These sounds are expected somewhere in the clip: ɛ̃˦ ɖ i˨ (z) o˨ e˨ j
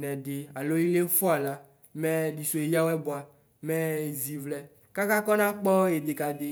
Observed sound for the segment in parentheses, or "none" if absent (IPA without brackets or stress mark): s